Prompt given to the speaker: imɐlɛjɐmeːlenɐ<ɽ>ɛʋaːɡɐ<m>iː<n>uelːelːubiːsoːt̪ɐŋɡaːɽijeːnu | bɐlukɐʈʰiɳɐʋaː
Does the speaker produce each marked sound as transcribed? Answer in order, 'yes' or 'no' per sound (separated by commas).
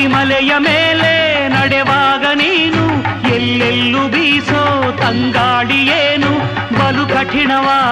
yes, no, yes